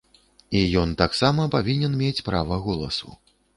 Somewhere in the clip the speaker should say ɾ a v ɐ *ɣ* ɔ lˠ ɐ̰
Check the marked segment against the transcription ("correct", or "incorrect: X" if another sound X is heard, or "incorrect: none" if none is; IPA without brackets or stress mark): correct